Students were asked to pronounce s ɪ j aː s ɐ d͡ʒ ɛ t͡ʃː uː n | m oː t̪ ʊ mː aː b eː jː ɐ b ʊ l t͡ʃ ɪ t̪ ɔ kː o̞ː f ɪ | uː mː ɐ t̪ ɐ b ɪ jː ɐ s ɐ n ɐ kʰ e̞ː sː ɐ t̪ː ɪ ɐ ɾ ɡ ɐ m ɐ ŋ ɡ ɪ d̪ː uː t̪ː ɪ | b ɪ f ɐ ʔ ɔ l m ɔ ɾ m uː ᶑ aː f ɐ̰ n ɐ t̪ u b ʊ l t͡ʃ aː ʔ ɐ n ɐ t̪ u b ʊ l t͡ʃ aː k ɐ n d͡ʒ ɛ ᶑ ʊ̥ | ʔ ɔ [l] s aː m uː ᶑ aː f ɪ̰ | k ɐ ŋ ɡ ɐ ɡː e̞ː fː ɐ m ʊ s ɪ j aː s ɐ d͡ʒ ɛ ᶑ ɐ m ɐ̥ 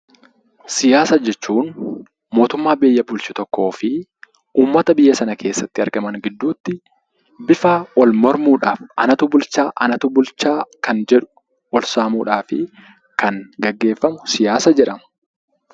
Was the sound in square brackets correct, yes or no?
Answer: yes